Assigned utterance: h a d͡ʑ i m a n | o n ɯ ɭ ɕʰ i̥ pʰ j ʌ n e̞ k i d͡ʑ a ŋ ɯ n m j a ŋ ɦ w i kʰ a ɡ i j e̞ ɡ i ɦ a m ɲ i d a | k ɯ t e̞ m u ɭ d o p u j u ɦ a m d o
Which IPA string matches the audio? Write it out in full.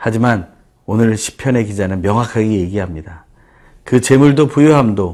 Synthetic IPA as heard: h a d͡ʑ i m a n | o n ɯ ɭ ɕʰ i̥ pʰ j ʌ n e̞ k i d͡ʑ a n ɯ n m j ʌ ŋ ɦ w a kʰ a ɡ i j e̞ ɡ i ɦ a m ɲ i d a | k ɯ t͡ɕ e̞ m u ɭ d o p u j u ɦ a m d o